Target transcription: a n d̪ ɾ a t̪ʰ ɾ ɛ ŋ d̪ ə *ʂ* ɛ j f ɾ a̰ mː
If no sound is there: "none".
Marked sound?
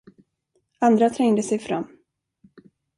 s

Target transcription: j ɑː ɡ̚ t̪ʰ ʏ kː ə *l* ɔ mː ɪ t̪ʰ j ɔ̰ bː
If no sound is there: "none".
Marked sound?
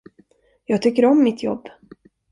ɾ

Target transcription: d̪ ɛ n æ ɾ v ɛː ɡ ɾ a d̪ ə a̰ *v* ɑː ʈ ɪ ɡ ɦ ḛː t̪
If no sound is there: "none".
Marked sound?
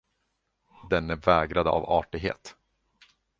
v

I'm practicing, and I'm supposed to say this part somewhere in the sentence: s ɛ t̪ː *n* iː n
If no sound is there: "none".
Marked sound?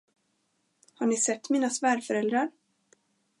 m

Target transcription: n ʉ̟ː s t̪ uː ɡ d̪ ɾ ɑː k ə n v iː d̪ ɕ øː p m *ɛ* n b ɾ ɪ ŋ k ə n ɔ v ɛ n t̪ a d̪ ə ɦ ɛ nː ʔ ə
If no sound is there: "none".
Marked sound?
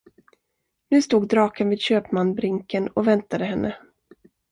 a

